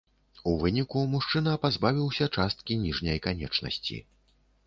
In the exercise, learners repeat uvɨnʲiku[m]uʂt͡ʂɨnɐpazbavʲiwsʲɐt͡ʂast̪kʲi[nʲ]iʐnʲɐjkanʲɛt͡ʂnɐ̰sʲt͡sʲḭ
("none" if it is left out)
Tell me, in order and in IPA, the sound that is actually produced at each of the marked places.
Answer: m, nʲ

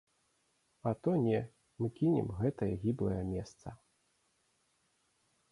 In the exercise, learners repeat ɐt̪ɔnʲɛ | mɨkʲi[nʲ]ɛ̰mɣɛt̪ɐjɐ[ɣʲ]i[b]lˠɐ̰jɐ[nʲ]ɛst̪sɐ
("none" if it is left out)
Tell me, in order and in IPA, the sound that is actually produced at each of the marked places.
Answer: nʲ, ɣʲ, b, mʲ

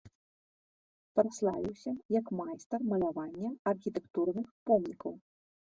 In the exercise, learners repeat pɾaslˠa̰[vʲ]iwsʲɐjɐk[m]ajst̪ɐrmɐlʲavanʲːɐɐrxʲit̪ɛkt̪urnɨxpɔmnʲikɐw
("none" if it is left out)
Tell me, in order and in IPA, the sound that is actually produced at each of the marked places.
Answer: vʲ, m

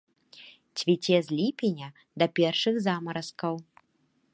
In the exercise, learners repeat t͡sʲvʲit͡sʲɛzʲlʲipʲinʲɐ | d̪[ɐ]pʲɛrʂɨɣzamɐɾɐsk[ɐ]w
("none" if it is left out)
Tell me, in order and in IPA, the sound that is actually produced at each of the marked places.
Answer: ɐ, ɐ

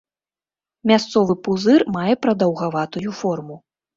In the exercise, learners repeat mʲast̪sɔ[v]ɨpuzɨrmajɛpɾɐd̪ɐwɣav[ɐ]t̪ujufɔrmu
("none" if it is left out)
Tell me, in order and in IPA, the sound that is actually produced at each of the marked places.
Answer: v, a

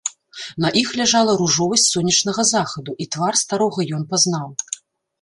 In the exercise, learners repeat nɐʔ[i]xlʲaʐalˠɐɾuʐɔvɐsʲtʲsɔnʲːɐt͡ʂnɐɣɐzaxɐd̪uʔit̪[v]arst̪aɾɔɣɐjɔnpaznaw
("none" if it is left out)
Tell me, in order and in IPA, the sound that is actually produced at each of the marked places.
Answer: i, v

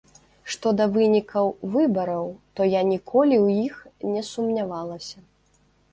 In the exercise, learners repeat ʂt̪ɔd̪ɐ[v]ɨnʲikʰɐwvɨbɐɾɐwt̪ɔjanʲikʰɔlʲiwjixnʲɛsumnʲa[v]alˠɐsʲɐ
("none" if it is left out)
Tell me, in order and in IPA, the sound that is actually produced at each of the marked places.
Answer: v, v

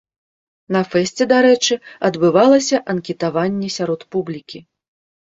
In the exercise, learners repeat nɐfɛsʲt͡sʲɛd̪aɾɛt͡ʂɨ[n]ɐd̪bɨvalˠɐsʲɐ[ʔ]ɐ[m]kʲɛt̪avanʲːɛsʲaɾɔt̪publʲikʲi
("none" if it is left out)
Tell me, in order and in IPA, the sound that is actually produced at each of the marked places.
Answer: none, ʔ, n

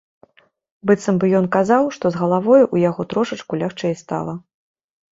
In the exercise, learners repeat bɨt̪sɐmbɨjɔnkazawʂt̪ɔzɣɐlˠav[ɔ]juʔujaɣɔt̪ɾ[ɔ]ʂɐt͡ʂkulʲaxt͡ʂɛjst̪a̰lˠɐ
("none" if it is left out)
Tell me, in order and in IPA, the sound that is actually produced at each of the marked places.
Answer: ɔ, ɔ

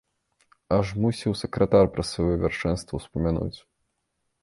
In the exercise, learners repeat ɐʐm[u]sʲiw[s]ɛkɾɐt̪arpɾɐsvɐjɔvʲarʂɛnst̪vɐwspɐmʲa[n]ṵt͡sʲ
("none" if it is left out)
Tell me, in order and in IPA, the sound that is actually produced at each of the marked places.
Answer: u, s, n

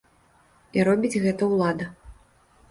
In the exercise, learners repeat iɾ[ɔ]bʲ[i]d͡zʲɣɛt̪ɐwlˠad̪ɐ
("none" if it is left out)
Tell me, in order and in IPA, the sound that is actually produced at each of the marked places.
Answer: ɔ, i

